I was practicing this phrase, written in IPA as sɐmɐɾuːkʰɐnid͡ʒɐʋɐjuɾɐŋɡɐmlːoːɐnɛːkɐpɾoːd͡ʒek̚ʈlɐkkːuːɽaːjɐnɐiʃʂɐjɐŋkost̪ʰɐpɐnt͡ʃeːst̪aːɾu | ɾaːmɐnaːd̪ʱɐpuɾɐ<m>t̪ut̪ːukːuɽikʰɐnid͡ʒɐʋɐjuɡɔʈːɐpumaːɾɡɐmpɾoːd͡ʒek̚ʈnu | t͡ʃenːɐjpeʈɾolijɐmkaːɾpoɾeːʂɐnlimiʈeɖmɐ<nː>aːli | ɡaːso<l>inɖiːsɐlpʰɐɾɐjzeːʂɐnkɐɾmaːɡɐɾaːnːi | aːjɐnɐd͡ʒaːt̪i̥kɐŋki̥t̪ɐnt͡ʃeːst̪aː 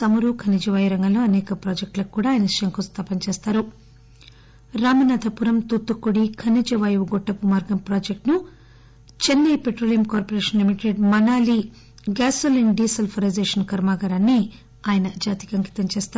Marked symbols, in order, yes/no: yes, no, yes

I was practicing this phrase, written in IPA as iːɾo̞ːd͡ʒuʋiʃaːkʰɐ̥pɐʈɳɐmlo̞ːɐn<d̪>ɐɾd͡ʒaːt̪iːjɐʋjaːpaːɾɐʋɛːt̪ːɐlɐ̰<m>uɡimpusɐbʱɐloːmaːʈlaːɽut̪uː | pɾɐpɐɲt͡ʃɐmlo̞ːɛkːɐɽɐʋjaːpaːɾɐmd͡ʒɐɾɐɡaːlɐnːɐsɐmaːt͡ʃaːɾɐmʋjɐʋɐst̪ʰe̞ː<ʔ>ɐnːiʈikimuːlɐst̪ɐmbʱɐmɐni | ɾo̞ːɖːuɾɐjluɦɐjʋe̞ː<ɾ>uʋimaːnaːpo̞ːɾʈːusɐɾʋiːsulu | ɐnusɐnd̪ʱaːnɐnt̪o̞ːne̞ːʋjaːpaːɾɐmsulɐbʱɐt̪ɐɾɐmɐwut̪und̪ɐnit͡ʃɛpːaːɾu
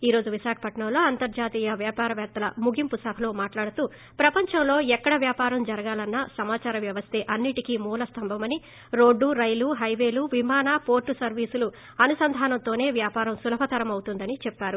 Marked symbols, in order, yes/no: no, yes, yes, no

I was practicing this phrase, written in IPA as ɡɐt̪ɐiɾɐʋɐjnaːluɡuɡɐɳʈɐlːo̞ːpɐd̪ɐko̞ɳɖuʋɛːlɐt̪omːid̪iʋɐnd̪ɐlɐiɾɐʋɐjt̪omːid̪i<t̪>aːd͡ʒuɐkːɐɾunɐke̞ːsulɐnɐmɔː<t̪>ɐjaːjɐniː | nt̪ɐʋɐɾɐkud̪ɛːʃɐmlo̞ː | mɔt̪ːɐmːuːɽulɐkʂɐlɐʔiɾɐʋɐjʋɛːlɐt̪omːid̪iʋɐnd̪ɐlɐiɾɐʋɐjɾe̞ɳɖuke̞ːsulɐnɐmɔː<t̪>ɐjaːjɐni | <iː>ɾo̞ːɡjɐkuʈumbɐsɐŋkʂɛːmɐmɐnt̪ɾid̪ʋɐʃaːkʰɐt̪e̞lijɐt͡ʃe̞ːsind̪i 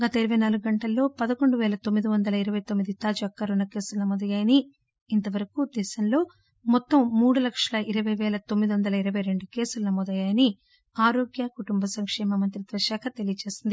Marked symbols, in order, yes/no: yes, no, no, no

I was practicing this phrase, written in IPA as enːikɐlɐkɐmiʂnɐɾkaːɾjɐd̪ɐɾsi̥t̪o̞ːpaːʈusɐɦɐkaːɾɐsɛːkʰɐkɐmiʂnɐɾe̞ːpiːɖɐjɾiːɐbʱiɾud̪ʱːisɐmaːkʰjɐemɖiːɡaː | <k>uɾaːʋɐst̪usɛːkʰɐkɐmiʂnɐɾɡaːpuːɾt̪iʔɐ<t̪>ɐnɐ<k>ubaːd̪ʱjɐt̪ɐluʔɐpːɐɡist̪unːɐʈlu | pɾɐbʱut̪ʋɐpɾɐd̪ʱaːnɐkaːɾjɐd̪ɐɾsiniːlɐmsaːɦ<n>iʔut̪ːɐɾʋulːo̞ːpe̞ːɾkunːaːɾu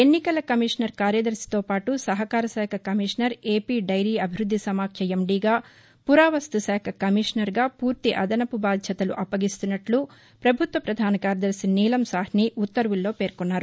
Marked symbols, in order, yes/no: no, no, no, yes

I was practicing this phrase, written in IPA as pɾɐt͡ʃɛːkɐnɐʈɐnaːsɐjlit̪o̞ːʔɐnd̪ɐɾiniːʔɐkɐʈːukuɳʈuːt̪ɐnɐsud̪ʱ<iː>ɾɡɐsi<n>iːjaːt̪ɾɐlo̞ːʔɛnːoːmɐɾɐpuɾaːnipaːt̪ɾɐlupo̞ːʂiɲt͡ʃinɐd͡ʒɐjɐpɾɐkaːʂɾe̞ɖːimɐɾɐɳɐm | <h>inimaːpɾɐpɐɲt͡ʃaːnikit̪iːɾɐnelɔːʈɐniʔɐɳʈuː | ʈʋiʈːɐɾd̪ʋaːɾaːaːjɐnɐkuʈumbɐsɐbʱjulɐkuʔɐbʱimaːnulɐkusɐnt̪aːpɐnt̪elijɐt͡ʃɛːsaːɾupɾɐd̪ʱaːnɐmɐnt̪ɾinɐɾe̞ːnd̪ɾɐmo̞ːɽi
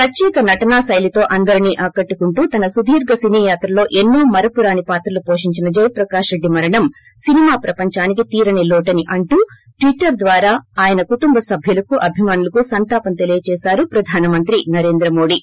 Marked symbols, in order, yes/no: yes, yes, no

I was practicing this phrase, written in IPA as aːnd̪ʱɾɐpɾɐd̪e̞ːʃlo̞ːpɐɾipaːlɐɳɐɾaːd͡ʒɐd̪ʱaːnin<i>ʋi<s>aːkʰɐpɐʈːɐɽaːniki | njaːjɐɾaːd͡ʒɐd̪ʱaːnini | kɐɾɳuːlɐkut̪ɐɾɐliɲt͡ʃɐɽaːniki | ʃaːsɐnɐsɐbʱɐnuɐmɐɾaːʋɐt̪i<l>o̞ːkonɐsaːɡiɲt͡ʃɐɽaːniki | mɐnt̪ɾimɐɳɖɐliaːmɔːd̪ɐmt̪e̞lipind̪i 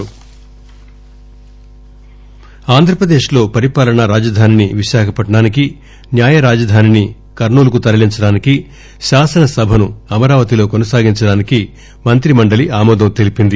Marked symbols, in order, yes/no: yes, no, yes

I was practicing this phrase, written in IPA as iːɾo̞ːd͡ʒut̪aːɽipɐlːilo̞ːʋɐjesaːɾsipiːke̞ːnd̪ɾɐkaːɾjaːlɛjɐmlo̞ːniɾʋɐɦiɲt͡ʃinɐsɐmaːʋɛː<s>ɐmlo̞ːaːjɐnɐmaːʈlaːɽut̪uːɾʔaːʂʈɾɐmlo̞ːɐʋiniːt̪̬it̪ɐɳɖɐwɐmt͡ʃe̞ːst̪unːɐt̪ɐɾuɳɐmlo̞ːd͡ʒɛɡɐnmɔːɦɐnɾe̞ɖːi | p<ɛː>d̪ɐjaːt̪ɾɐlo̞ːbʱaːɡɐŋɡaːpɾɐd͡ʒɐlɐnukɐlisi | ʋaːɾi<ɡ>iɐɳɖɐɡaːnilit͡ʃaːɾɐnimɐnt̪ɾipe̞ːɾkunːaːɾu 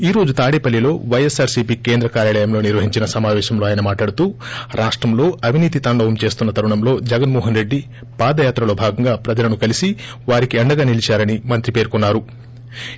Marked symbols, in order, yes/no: no, no, no

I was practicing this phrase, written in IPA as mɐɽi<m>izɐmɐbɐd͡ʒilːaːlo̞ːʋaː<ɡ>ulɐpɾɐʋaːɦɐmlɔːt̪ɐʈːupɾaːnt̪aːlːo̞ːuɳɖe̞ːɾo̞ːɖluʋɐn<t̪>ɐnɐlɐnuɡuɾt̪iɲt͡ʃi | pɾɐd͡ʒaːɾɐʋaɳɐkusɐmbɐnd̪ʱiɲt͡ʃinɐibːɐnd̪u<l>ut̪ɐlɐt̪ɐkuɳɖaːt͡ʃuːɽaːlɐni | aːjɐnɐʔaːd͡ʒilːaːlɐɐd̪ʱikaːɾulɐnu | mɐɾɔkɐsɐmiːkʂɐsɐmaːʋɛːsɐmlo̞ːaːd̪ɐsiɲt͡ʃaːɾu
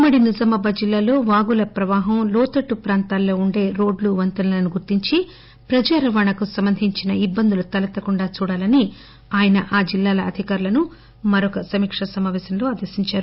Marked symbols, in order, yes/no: no, yes, yes, yes

